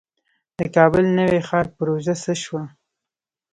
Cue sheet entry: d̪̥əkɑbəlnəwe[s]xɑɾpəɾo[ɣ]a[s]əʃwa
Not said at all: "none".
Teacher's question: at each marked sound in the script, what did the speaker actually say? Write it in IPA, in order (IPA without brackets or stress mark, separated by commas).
none, ʒ, s